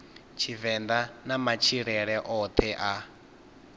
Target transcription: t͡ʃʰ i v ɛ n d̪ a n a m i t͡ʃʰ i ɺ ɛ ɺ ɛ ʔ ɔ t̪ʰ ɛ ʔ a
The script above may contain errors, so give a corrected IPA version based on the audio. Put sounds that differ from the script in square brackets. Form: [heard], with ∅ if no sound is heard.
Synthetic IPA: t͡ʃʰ i v ɛ n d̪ a n a m [a] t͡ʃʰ i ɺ ɛ ɺ ɛ ʔ ɔ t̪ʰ ɛ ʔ a